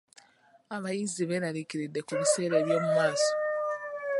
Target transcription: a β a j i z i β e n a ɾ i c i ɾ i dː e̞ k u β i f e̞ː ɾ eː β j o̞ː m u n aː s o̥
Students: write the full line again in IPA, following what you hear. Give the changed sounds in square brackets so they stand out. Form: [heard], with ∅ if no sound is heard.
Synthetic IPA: a β a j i z i β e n a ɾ i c i ɾ i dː e̞ k u β i [s] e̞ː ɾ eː β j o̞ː m u [m] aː s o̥